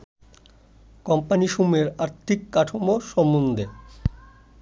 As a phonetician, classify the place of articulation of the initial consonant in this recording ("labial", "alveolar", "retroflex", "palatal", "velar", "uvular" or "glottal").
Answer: velar